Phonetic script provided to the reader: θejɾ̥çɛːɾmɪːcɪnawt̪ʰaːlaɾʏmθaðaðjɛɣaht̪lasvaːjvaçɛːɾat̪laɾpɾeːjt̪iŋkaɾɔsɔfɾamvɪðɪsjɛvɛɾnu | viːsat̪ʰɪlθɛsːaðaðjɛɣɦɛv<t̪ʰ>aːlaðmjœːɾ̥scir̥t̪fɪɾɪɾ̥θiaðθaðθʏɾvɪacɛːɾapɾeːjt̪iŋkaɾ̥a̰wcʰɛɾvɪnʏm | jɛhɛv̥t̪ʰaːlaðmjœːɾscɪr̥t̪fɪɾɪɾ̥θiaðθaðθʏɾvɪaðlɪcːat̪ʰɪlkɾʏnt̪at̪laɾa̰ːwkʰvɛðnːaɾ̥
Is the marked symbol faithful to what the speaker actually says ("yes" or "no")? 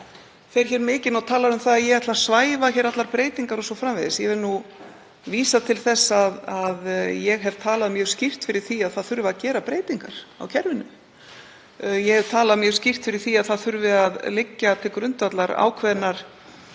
yes